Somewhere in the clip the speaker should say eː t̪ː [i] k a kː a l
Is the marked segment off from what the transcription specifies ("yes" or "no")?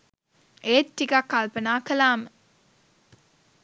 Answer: no